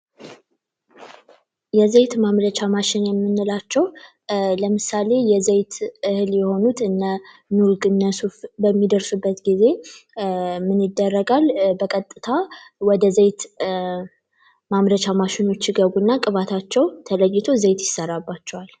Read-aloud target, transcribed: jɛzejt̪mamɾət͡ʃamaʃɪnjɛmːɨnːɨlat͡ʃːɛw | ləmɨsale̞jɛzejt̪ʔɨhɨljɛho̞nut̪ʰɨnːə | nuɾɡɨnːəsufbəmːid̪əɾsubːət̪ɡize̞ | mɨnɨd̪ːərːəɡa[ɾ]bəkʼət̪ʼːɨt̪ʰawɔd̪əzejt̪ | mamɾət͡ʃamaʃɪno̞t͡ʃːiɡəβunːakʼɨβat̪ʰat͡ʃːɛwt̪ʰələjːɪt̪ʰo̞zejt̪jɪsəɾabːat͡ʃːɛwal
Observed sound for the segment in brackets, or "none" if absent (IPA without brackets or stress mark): l